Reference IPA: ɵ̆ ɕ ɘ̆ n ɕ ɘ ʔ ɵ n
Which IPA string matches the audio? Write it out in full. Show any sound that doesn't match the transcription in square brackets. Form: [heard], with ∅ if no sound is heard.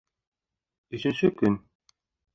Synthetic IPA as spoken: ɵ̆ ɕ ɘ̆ n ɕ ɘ [k] ɵ n